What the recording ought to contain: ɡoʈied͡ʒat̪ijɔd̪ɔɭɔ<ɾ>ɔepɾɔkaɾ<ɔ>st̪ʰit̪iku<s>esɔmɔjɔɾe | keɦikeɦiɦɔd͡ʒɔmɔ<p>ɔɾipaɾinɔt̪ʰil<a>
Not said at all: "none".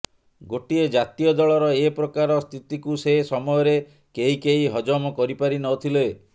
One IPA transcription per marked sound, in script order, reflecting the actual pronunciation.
ɾ, ɔ, s, k, e

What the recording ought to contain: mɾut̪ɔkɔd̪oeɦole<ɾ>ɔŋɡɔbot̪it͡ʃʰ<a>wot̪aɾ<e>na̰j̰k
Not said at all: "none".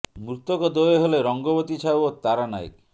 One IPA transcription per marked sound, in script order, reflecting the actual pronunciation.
ɾ, a, a

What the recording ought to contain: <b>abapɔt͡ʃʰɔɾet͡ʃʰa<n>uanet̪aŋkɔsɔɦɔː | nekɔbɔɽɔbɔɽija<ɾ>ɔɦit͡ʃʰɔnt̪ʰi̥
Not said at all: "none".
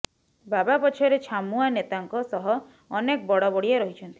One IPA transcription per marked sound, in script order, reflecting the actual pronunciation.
b, m, ɾ

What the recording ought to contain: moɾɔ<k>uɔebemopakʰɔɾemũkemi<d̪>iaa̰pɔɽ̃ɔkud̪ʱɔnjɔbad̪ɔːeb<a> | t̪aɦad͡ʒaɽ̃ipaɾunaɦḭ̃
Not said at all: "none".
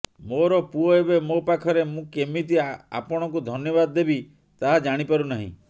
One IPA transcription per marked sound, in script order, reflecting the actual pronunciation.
p, t̪, i

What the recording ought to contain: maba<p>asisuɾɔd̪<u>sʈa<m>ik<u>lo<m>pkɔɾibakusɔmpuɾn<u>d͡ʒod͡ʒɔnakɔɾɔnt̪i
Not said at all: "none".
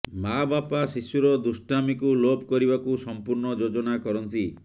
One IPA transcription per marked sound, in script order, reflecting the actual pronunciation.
p, u, m, u, none, ɔ

